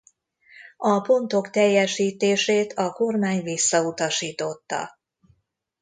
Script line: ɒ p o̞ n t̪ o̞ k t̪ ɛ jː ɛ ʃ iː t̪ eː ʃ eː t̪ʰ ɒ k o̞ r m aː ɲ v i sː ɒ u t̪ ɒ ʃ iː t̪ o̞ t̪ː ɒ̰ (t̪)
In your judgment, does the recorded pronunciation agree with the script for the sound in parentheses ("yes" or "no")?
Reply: no